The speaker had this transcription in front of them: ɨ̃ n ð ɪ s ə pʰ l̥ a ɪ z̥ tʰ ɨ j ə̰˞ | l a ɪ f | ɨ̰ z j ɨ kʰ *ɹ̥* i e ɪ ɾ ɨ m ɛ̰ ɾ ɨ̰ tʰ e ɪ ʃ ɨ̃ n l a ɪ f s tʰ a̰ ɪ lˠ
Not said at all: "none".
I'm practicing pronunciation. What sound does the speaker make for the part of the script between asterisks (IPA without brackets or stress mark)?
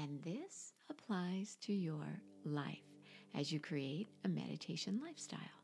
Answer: ɹ̥